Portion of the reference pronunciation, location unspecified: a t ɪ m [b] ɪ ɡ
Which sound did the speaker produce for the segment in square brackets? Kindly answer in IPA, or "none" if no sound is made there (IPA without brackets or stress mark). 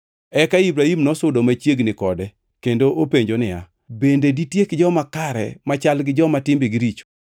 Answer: b